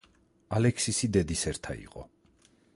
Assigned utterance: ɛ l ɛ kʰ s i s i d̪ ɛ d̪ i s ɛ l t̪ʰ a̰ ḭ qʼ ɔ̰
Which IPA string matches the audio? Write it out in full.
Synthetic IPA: a l ɛ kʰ s i s i d̪ ɛ d̪ i s ɛ ɾ t̪ʰ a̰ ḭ qʼ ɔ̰